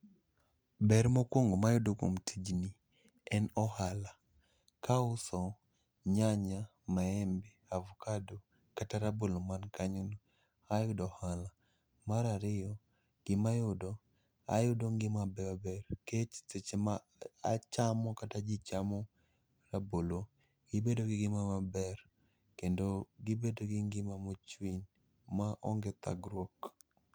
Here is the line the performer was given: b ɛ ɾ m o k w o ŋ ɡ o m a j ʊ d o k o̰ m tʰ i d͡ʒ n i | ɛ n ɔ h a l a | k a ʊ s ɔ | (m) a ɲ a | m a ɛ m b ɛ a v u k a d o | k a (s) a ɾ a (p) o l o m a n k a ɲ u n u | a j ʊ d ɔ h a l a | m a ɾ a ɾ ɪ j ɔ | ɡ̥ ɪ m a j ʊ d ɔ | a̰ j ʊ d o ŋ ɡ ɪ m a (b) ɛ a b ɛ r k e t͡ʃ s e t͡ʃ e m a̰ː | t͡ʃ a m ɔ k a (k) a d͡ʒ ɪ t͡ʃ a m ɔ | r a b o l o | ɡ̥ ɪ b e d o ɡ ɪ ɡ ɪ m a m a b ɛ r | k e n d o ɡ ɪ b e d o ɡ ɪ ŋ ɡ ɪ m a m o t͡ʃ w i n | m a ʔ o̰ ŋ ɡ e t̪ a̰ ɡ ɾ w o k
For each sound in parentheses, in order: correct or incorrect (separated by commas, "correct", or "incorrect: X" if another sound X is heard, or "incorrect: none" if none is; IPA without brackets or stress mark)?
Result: incorrect: ɲ, incorrect: t, incorrect: b, correct, incorrect: t